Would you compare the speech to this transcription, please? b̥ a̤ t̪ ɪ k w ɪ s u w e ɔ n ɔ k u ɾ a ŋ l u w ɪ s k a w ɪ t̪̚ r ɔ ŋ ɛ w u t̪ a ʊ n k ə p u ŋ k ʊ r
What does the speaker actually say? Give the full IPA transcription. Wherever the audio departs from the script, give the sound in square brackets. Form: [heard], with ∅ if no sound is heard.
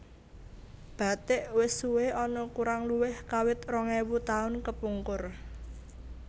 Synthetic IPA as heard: b̥ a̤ t̪ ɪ [ʔ] w ɪ s u w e ɔ n ɔ k u ɾ a ŋ l u w ɪ [h] k a w ɪ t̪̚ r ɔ ŋ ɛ w u t̪ a ʊ n k ə p u ŋ k ʊ r